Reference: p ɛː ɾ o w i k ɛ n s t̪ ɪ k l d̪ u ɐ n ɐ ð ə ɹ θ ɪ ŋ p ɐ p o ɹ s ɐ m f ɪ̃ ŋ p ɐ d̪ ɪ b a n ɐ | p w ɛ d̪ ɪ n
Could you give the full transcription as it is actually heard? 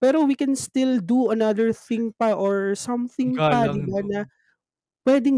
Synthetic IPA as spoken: p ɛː ɾ o w i k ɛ n s t̪ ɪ l d̪ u ɐ n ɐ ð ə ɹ θ ɪ ŋ p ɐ ʔ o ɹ s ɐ m θ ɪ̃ ŋ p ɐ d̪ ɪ b a n ɐ | p w ɛ d̪ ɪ ŋ